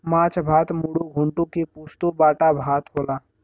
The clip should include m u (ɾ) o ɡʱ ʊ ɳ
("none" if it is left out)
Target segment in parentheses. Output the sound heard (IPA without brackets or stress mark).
ɽ